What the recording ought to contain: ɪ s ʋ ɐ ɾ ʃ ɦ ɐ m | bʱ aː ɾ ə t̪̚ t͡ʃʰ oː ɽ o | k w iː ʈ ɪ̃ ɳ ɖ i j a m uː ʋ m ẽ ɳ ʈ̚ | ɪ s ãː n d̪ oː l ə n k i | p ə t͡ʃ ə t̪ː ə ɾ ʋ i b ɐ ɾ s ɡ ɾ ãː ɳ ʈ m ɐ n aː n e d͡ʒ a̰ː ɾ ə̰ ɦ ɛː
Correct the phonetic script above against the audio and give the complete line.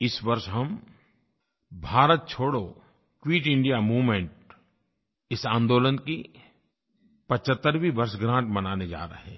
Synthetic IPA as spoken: ɪ s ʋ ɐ ɾ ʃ ɦ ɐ m | bʱ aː ɾ ə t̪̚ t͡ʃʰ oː ɽ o | k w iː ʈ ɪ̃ ɳ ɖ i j a m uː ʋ m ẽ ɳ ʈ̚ | ɪ s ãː n d̪ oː l ə n k i | p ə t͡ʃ ə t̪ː ə ɾ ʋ i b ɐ ɾ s ɡ ɾ ãː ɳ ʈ m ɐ n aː n e d͡ʒ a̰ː ɾ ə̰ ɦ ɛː